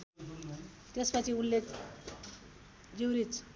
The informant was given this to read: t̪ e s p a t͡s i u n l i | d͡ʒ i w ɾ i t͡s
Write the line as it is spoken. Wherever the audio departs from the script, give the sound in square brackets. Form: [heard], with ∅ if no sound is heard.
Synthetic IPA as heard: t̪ e s p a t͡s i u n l [e] | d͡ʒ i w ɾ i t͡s